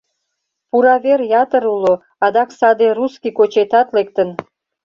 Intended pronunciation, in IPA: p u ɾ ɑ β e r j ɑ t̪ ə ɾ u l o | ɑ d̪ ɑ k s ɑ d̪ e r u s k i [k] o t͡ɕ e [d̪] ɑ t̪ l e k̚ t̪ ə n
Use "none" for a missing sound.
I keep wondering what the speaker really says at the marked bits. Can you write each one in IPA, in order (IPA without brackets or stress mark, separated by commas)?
k, t̪